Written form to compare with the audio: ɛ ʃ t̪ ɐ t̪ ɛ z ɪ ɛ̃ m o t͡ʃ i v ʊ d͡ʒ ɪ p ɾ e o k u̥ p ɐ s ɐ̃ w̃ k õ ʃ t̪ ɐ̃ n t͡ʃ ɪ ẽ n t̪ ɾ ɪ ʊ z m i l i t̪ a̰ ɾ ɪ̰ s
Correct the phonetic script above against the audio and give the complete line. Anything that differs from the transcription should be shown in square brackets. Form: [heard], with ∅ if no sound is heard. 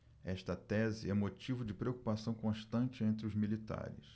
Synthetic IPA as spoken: ɛ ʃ t̪ ɐ t̪ ɛ z ɪ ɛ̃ m o t͡ʃ i v ʊ d͡ʒ ɪ p ɾ e o k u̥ p [a] s ɐ̃ w̃ k õ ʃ t̪ ɐ̃ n t͡ʃ ɪ ẽ n t̪ ɾ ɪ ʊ z m i l i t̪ a̰ ɾ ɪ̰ s